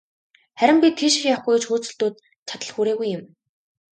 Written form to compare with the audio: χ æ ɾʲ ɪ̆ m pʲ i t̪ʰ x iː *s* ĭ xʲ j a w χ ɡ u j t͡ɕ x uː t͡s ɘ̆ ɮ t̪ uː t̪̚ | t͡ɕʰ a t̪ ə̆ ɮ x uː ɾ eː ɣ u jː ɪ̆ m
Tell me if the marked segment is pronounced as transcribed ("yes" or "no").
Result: no